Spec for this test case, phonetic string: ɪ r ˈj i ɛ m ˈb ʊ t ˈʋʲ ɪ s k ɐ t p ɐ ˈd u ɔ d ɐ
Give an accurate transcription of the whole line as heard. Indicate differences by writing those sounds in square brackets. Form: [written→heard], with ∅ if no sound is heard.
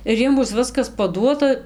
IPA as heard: ɪ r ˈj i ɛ m ˈb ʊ [t→s] ˈʋʲ ɪ s k ɐ [t→s] p ɐ ˈd u ɔ [d→t] ɐ